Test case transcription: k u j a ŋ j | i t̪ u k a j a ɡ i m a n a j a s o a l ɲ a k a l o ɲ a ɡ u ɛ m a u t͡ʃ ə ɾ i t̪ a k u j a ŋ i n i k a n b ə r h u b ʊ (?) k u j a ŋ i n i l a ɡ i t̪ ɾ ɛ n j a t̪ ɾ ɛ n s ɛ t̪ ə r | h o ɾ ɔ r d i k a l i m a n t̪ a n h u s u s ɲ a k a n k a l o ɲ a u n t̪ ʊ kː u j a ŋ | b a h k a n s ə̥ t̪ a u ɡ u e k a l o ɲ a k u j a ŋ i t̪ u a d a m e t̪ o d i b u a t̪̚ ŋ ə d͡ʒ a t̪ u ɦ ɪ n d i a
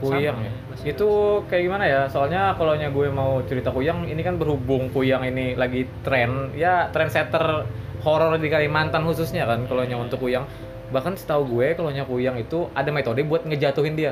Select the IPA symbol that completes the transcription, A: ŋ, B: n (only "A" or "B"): A